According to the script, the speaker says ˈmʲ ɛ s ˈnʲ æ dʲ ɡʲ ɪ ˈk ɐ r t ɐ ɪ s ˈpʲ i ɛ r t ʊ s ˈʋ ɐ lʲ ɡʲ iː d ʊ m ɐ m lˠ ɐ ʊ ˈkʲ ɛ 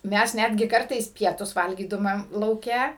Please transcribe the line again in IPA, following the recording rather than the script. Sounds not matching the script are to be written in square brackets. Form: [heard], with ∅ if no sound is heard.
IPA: ˈmʲ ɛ s ˈnʲ æ dʲ ɡʲ ɪ ˈk ɐ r t ɐ ɪ s ˈpʲ i ɛ [∅] t ʊ s ˈʋ ɐ lʲ ɡʲ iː d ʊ m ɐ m lˠ ɐ ʊ ˈkʲ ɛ